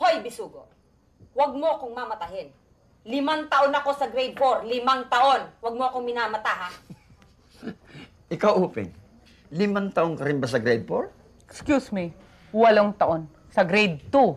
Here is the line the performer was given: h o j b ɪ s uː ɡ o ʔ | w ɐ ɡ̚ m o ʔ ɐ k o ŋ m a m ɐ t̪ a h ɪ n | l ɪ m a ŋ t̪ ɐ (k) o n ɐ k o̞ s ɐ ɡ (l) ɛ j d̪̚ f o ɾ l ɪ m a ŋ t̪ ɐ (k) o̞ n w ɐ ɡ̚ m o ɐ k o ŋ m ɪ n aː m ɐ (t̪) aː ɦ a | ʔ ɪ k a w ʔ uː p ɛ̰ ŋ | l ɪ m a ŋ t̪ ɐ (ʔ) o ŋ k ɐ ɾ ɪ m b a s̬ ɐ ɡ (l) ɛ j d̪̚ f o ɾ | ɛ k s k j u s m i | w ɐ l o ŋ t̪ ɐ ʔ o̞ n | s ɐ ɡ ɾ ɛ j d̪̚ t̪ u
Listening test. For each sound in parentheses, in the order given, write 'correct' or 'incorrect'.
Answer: incorrect: ʔ, incorrect: ɾ, incorrect: ʔ, correct, correct, incorrect: ɾ

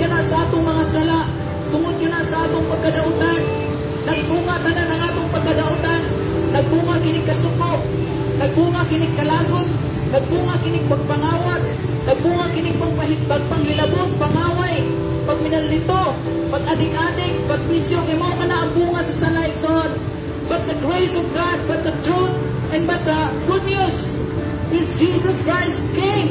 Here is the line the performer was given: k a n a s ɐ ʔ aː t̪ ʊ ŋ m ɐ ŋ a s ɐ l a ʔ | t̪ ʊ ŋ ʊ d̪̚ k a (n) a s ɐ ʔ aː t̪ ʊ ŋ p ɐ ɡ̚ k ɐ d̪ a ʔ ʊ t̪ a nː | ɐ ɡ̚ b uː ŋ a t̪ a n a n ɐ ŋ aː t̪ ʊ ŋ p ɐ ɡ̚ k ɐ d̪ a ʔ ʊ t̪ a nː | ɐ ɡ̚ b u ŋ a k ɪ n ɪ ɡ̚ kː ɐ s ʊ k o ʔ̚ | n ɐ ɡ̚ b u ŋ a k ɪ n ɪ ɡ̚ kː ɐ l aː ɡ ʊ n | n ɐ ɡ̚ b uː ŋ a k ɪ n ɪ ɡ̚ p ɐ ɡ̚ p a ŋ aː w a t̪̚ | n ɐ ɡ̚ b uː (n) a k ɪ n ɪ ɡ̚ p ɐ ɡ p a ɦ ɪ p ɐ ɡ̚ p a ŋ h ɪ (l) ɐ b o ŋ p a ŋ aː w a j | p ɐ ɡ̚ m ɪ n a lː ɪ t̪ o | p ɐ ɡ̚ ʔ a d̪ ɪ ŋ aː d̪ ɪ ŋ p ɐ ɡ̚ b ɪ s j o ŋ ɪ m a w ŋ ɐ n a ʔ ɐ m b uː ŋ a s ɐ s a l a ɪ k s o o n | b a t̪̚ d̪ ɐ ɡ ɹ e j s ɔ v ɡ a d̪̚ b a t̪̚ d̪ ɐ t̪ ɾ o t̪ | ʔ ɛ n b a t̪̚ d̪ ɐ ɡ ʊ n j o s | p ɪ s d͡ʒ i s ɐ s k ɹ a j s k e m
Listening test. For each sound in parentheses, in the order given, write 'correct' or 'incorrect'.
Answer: correct, incorrect: ŋ, correct

